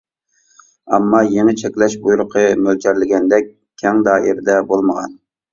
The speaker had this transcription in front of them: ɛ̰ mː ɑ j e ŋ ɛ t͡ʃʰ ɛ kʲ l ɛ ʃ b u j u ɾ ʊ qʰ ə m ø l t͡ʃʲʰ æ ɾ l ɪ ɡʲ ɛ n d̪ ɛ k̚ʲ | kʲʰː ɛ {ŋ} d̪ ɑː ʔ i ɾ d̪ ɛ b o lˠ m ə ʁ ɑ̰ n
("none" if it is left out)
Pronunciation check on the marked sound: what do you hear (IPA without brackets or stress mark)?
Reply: ŋ